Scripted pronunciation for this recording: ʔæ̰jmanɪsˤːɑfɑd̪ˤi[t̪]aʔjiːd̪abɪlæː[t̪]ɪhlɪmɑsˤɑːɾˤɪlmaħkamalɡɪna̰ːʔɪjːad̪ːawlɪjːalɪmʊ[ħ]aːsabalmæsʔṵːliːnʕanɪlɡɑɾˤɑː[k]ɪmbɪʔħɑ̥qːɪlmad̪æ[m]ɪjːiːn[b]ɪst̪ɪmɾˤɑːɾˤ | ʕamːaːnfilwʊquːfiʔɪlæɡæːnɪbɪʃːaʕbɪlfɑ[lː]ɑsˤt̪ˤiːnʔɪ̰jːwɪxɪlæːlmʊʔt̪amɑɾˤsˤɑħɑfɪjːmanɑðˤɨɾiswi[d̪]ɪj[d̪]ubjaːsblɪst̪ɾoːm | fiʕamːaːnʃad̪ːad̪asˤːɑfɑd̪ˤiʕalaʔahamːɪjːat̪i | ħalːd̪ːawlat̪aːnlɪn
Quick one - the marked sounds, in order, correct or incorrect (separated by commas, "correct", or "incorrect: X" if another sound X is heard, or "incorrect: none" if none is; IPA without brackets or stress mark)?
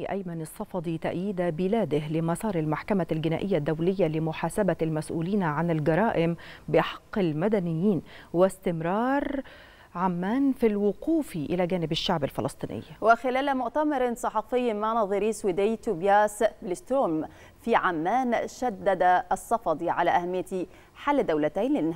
correct, incorrect: d̪, correct, incorrect: ʔ, incorrect: n, incorrect: w, incorrect: l, correct, incorrect: t̪